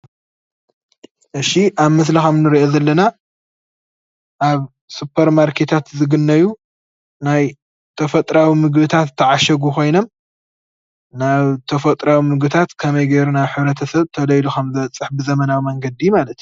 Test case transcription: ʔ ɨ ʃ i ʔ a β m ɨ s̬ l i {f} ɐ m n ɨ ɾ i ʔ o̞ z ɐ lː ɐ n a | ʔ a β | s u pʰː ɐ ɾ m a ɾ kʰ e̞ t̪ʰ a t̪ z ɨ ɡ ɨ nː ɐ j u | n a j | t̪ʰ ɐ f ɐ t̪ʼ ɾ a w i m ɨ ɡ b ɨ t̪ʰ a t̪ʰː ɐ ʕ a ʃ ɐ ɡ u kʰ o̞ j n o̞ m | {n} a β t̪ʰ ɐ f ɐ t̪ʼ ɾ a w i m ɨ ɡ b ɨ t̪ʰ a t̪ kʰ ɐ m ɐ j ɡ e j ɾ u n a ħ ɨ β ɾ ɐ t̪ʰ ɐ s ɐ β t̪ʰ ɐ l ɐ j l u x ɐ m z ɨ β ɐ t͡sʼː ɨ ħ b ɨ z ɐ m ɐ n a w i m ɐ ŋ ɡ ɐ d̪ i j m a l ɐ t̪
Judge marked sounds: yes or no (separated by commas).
no, yes